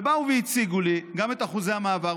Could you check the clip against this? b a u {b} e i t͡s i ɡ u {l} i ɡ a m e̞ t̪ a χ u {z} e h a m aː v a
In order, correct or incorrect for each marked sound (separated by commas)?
incorrect, correct, correct